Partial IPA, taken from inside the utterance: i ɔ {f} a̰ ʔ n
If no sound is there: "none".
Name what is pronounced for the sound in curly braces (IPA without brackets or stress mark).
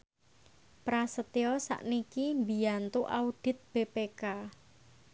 s